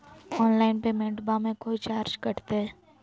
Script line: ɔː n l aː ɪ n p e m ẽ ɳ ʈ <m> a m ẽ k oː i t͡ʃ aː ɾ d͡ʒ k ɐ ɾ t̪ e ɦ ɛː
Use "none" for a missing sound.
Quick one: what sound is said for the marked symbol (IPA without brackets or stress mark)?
b